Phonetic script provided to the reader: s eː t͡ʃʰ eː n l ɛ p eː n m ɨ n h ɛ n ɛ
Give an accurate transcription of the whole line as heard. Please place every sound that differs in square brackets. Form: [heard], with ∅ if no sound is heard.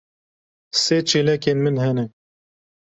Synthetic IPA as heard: s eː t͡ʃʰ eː [∅] l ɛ [k] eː n m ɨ n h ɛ n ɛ